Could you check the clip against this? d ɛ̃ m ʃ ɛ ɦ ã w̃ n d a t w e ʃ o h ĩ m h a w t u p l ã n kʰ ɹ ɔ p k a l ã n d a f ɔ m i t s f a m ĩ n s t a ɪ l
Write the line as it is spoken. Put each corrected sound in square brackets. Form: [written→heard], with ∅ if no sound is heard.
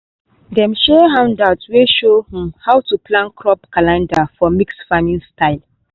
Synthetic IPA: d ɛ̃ m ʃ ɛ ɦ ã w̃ n d a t w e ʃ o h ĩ m h a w t u p l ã n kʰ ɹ ɔ p k a l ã n d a f ɔ m i [t→k] s f a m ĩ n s t a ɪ l